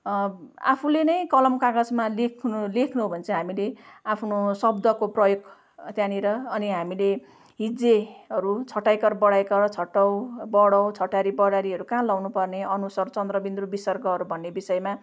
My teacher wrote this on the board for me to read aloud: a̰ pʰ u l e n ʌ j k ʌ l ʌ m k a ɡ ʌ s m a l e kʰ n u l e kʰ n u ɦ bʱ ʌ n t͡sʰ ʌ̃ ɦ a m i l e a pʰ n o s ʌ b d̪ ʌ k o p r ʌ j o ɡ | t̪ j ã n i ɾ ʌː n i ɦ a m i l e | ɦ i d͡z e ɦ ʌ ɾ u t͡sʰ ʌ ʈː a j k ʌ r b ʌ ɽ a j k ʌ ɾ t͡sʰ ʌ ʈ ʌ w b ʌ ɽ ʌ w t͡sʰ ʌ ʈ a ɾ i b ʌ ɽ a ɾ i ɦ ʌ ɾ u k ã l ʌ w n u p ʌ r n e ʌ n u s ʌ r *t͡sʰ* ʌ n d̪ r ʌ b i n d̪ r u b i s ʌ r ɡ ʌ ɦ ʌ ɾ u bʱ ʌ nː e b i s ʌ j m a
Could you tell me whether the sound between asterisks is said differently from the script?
yes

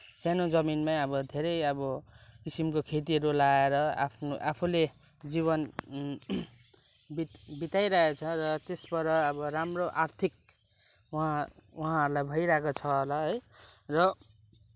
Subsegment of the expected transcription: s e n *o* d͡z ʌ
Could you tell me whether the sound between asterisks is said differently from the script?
no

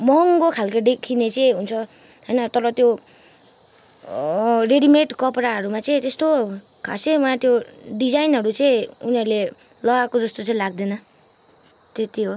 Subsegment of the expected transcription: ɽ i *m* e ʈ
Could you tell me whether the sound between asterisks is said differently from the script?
no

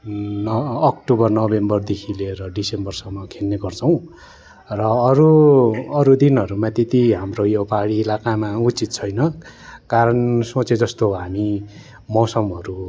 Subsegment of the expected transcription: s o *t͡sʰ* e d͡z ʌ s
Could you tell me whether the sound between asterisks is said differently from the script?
yes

